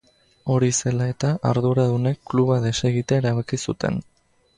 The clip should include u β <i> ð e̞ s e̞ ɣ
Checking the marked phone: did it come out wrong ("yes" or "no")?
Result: yes